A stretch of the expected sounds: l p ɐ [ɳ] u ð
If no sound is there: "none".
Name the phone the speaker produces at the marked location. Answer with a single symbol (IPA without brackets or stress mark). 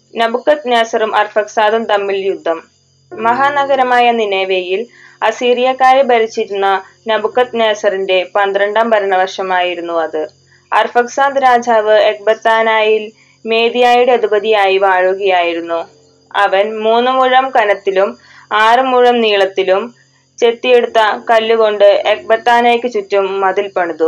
ɳ